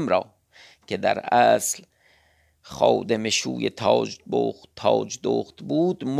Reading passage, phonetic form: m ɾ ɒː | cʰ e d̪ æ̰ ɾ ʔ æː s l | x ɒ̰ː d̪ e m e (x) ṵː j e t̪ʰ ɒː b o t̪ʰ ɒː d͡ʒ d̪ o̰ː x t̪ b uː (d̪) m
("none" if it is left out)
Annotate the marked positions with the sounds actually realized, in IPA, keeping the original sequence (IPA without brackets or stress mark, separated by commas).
ʃ, d̪